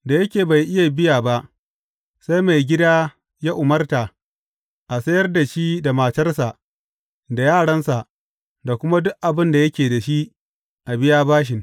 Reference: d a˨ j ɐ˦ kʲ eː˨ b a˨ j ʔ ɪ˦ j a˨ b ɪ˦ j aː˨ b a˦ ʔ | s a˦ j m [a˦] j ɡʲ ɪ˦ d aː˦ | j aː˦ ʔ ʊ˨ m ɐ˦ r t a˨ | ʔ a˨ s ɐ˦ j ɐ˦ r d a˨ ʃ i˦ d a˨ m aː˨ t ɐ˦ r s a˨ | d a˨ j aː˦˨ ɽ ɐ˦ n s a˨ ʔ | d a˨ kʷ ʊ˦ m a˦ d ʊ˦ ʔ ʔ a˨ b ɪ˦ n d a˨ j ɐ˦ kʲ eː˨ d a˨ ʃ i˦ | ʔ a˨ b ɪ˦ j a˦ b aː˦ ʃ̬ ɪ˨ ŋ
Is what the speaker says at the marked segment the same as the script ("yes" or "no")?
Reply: no